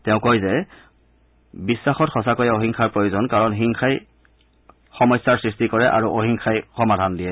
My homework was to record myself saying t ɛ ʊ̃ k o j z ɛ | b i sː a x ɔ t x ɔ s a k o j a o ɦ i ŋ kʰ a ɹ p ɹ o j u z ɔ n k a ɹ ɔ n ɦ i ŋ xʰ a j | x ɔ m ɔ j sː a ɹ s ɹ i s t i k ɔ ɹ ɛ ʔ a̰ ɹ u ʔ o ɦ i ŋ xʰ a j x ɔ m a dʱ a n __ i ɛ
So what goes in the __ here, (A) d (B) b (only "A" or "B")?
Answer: A